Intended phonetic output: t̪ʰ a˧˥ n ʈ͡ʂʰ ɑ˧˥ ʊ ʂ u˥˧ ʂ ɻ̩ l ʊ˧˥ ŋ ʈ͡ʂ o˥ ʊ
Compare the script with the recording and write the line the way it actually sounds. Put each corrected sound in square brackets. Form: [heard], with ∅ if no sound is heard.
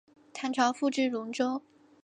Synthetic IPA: t̪ʰ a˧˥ n ʈ͡ʂʰ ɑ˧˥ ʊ [f] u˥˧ [ʈ͡ʂ] ɻ̩ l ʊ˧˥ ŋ ʈ͡ʂ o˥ ʊ